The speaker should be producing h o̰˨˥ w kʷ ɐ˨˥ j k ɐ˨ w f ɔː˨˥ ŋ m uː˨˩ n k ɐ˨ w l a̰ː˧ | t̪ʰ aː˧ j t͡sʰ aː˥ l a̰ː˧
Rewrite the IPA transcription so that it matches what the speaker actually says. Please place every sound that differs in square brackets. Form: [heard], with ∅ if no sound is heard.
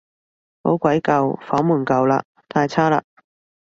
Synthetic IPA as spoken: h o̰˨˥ w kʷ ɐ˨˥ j k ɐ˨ w f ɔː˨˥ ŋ m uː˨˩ n k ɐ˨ w l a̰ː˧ | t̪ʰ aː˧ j t͡sʰ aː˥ l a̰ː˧